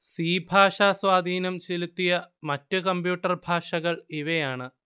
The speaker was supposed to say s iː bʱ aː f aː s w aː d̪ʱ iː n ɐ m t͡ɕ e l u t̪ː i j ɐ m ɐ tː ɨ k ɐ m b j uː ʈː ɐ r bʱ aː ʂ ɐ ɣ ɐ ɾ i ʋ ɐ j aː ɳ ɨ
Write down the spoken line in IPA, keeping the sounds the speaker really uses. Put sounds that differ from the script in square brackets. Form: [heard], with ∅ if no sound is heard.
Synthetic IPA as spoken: s iː bʱ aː [ʂ] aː s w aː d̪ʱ iː n ɐ m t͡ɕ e l u t̪ː i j ɐ m ɐ tː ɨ k ɐ m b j uː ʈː ɐ r bʱ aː ʂ ɐ ɣ ɐ [ɭ] i ʋ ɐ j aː ɳ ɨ